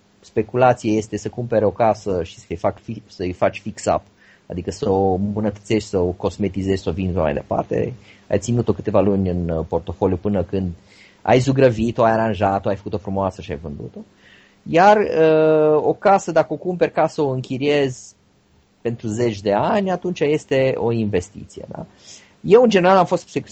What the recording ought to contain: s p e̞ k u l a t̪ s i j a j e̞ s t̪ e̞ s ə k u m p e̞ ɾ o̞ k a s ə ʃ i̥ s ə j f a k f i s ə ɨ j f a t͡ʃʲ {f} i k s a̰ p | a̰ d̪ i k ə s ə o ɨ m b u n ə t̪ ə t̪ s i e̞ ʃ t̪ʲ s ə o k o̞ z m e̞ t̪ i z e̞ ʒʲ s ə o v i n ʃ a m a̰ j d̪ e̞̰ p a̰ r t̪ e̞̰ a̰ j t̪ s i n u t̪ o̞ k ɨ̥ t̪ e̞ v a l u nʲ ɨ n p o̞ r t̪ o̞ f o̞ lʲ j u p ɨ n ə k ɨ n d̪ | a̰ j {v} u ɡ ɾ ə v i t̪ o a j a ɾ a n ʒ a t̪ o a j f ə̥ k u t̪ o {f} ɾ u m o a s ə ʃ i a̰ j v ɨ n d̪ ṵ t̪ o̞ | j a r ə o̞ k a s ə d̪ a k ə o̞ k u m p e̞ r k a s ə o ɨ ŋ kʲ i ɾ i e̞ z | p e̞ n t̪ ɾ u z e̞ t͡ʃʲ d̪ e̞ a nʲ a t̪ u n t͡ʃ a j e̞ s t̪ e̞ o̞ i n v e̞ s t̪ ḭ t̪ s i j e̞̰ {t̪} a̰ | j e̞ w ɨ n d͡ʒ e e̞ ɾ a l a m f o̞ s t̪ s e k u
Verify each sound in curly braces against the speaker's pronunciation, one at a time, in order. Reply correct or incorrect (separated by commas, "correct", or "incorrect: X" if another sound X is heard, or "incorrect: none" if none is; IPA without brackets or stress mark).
correct, incorrect: z, correct, incorrect: d̪